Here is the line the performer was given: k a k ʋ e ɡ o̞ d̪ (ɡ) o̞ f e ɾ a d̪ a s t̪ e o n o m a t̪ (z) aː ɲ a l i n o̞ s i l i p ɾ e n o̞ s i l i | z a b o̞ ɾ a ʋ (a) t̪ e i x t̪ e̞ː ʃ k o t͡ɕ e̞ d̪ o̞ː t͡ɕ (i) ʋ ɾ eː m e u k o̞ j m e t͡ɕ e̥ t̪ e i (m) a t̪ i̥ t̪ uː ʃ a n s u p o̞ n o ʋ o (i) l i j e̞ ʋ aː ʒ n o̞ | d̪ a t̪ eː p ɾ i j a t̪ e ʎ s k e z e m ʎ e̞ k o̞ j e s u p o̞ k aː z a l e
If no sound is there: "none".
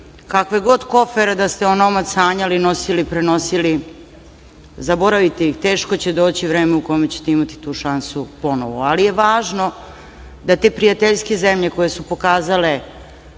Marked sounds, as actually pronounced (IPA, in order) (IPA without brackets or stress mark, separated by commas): k, s, i, i, m, a